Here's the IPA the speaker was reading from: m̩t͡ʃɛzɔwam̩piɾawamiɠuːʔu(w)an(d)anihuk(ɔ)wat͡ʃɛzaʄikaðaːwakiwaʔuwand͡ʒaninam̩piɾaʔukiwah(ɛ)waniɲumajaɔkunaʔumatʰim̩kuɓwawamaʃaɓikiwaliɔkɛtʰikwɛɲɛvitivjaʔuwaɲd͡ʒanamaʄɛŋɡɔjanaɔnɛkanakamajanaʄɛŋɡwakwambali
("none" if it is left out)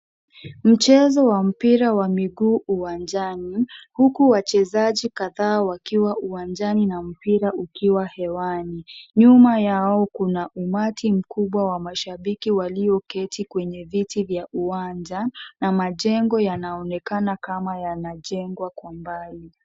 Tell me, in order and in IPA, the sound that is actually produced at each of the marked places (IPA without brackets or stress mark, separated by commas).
w, d͡ʒ, u, ɛ